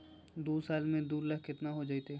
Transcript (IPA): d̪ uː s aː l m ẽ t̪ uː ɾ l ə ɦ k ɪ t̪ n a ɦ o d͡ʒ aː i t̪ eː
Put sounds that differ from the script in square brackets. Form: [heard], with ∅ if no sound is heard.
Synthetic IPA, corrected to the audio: d̪ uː s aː l m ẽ [d̪] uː ɾ l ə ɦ k ɪ t̪ n a ɦ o d͡ʒ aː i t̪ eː